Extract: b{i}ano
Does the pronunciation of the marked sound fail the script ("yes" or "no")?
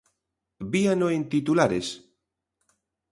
no